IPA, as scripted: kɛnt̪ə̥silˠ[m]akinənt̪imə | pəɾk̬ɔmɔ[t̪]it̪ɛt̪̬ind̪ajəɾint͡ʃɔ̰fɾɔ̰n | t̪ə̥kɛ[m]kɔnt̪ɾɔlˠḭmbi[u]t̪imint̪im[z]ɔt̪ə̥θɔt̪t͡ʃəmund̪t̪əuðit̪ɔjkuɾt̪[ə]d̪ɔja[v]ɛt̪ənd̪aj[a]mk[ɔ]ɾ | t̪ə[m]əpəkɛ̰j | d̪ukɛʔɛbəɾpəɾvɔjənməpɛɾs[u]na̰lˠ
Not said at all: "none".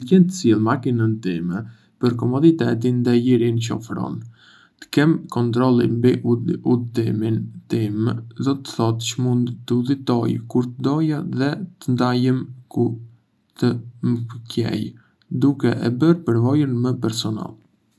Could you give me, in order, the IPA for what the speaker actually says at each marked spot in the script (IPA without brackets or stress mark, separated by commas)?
m, d̪, m, u, z, ə, ð, ə, u, m, ɔ